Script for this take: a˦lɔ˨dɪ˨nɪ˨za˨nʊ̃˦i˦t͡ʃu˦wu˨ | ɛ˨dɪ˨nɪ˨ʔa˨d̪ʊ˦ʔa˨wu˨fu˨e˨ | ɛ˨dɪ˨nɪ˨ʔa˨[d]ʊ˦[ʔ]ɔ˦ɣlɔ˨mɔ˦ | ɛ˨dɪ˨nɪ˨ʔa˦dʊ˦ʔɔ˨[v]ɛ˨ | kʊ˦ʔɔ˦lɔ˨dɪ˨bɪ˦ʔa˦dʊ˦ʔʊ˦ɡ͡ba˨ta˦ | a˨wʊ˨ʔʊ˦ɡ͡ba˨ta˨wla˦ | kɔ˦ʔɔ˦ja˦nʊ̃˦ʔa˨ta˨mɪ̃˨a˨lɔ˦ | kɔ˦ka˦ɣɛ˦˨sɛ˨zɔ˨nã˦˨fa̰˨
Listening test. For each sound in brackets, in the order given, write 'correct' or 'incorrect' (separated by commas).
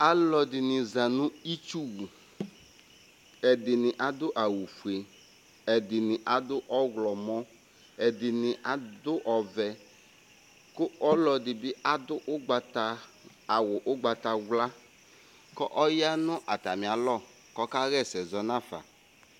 correct, correct, correct